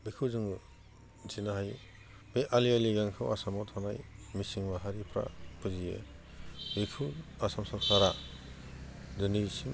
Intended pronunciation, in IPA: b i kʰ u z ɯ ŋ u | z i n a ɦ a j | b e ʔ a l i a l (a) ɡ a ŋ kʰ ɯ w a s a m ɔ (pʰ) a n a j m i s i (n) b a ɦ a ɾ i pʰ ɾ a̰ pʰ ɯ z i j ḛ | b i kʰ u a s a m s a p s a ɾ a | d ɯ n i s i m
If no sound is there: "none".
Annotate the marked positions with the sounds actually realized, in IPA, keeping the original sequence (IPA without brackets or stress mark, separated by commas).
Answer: i, tʰ, ŋ